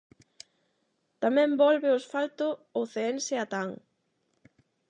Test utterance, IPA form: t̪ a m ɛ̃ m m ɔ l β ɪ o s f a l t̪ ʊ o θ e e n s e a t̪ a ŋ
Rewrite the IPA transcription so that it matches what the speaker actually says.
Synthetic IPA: t̪ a m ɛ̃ m b ɔ l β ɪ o s f a l t̪ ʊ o θ e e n s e a t̪ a ŋ